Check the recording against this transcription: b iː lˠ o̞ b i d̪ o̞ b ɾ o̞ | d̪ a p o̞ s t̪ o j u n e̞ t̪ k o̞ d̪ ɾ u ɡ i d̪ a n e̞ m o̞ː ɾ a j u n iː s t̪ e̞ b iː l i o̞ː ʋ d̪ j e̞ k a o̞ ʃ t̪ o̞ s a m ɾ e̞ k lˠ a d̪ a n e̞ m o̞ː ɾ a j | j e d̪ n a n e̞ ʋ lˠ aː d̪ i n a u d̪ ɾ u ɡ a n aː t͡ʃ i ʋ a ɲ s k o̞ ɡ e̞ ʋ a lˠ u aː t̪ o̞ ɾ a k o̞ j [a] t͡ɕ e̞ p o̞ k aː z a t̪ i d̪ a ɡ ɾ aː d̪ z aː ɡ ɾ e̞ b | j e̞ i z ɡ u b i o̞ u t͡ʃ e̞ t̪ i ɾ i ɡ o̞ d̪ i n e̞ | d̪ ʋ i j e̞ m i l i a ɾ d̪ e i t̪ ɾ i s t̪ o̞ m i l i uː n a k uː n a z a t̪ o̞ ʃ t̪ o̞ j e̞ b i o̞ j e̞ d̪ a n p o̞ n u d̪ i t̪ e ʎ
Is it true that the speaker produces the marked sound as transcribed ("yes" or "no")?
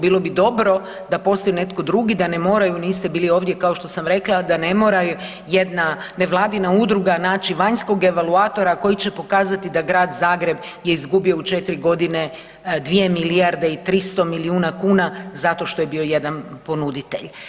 no